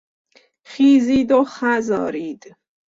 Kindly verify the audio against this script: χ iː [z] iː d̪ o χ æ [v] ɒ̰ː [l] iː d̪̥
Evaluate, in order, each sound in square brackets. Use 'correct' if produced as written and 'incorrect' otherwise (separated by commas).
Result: correct, incorrect, incorrect